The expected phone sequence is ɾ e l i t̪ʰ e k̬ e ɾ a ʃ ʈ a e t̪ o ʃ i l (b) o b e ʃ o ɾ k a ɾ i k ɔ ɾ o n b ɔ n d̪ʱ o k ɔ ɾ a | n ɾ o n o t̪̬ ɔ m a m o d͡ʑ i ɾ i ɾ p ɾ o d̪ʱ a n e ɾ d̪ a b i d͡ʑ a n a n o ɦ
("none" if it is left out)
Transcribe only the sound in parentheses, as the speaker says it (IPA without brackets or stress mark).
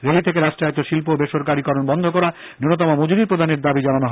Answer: p